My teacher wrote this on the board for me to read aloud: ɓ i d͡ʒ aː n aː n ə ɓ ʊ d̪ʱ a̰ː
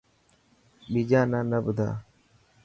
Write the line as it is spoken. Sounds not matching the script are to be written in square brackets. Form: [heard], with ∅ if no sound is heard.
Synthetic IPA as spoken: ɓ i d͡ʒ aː n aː n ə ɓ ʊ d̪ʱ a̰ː